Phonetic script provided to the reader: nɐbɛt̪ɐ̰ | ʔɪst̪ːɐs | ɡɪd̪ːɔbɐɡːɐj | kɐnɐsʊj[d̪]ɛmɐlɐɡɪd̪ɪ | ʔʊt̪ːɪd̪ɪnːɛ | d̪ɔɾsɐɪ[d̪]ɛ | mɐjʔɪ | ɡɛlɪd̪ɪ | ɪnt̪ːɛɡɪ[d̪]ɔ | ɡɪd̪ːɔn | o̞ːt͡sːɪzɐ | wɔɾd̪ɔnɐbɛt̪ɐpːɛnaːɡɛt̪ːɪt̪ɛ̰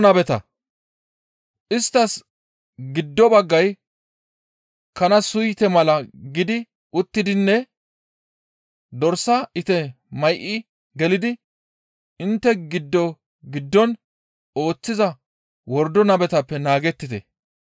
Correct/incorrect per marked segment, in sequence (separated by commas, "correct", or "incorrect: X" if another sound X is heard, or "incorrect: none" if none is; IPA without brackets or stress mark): incorrect: t̪, incorrect: t̪, incorrect: d̪ː